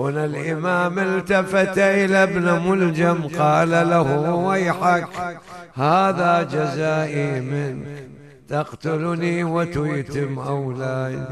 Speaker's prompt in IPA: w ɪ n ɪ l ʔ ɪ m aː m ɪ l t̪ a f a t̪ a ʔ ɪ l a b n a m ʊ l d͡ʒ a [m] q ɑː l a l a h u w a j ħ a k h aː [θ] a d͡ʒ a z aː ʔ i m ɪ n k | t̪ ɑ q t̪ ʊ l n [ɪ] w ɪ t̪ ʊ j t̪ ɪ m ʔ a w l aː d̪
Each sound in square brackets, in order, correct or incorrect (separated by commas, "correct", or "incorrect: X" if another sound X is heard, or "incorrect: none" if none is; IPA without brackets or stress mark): correct, incorrect: ð, incorrect: i